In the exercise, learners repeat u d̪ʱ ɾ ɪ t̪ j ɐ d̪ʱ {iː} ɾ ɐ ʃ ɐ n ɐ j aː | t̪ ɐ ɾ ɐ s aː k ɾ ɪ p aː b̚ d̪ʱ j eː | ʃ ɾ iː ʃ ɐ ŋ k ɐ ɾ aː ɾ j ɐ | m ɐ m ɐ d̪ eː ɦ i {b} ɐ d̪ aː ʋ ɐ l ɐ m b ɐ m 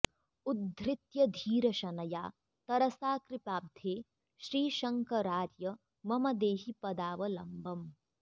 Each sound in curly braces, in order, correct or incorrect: correct, incorrect: p

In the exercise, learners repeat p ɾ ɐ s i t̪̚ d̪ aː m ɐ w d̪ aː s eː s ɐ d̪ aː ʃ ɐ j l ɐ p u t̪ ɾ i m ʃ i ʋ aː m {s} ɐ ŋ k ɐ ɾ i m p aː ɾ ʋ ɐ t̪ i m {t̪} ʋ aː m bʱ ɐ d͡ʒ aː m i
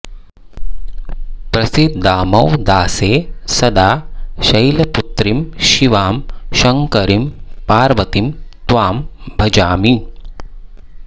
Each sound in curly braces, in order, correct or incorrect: incorrect: ʃ, correct

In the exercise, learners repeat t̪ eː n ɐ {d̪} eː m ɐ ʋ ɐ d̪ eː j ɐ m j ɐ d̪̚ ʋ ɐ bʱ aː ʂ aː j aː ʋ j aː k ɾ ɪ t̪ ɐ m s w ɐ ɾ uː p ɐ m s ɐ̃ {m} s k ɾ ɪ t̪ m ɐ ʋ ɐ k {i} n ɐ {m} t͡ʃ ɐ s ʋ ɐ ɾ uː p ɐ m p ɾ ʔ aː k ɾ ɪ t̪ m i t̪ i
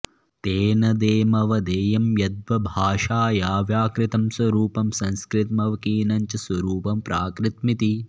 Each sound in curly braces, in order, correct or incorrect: correct, incorrect: n, incorrect: iː, incorrect: ɲ

